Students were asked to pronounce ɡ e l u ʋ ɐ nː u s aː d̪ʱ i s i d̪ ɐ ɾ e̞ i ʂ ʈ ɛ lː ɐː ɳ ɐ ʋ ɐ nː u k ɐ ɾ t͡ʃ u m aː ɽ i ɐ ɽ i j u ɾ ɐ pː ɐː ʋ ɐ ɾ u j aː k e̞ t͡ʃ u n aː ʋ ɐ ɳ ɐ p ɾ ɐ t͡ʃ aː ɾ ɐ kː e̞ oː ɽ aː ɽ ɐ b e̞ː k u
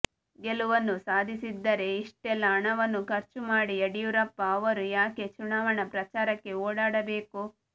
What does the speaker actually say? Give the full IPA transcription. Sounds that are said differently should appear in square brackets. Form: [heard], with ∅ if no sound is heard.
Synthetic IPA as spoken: ɡ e l u ʋ ɐ nː u s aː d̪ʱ i s i [d̪ː] ɐ ɾ e̞ i ʂ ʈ ɛ lː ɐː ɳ ɐ ʋ ɐ nː u k ɐ ɾ t͡ʃ u m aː ɽ i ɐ ɽ i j u ɾ ɐ pː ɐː ʋ ɐ ɾ u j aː k e̞ t͡ʃ u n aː ʋ ɐ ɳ ɐ p ɾ ɐ t͡ʃ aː ɾ ɐ kː e̞ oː ɽ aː ɽ ɐ b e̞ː k u